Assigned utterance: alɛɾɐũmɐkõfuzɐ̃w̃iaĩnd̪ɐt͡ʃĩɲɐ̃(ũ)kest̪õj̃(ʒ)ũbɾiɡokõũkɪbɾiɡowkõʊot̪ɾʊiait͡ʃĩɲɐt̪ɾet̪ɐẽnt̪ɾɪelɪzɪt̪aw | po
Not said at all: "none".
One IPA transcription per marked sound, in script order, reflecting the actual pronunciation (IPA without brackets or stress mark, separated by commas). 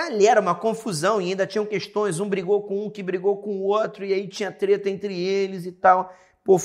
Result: w̃, z